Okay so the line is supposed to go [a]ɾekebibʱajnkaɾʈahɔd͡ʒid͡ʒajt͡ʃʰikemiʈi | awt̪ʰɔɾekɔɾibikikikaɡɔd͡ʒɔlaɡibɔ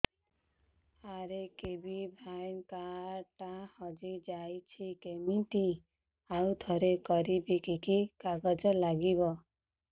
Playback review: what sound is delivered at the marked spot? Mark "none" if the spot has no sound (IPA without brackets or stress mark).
a